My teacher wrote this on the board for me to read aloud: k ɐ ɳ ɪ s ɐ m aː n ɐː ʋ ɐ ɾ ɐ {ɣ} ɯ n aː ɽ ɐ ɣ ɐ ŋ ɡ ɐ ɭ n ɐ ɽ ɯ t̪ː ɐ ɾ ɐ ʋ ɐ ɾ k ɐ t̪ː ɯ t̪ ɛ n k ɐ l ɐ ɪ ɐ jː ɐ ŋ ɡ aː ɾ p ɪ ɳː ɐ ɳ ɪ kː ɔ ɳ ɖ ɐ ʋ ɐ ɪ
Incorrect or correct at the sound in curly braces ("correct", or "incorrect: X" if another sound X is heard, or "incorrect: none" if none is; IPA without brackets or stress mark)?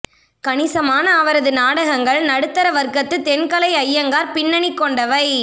incorrect: ð